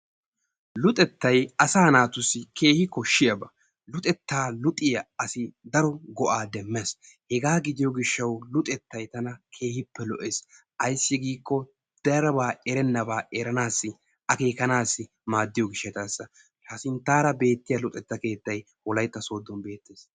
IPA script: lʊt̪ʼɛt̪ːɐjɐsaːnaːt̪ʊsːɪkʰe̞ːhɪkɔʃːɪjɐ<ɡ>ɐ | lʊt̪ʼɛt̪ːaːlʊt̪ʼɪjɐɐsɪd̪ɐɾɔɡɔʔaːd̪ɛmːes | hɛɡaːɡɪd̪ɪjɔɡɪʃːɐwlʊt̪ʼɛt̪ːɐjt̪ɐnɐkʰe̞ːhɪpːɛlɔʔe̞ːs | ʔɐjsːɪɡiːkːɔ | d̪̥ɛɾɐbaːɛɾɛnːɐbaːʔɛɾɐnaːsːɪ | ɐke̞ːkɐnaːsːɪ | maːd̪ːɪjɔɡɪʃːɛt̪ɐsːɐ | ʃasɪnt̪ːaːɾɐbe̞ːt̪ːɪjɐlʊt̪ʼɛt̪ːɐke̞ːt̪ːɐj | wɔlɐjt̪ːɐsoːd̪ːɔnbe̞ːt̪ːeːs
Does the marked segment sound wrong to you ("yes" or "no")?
yes